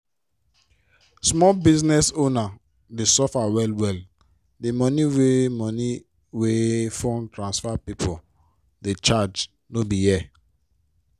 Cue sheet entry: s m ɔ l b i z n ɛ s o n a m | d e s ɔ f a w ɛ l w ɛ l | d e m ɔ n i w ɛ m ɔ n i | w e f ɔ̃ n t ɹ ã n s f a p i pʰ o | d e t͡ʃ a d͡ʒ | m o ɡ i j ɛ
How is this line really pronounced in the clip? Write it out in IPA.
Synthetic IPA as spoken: s m ɔ l b i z n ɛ s o n a | d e s ɔ f a w ɛ l w ɛ l | d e m ɔ n i w e m ɔ n i | w e f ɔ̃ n t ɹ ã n s f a p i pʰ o | d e t͡ʃ a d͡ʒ | n o b i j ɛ